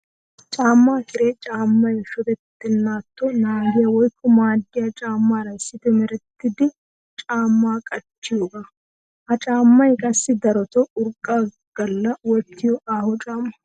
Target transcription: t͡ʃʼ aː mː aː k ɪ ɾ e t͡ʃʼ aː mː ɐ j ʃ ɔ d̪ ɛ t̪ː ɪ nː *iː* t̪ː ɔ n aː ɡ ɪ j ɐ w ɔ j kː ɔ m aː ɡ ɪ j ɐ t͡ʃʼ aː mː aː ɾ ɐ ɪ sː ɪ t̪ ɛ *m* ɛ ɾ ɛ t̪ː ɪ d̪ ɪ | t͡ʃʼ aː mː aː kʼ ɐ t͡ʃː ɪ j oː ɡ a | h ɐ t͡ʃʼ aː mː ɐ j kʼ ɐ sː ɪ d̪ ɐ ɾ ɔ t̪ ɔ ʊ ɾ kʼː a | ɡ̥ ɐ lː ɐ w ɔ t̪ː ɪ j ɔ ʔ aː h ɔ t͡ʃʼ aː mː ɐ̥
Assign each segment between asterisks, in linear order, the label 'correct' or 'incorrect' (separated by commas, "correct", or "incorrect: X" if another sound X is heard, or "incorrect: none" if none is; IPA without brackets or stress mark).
incorrect: aː, correct